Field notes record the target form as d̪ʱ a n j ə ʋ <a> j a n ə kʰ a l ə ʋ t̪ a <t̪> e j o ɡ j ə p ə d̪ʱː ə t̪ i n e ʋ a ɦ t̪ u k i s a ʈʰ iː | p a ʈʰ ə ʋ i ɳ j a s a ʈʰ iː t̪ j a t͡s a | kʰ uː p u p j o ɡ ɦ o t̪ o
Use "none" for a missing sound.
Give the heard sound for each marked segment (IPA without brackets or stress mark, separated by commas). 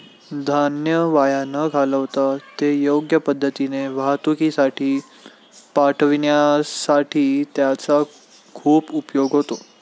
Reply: a, t̪